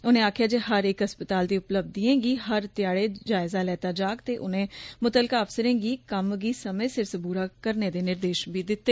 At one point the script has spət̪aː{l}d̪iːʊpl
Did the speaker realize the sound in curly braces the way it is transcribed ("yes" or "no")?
yes